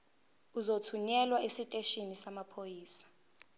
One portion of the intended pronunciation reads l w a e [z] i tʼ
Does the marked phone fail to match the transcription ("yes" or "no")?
yes